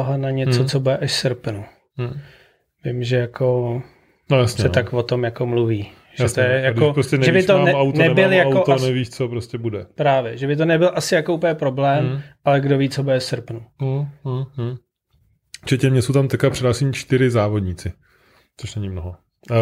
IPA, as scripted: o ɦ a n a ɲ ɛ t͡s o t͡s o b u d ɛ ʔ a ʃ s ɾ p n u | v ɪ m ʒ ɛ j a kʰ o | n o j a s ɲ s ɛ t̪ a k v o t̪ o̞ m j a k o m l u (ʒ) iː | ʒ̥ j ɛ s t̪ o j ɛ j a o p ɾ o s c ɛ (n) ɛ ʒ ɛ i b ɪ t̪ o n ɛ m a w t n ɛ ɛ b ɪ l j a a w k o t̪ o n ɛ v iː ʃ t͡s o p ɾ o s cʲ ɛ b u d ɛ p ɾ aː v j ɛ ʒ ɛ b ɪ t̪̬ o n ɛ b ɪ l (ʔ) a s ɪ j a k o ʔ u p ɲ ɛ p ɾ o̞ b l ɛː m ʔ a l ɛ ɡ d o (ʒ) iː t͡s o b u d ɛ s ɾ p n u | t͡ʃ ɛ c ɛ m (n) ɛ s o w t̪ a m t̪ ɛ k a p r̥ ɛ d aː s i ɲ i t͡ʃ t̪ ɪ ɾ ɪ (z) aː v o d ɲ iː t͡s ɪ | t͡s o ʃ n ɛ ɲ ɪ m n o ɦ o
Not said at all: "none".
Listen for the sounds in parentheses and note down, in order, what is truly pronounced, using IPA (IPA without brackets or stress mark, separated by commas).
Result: v, n, ʔ, v, ɲ, z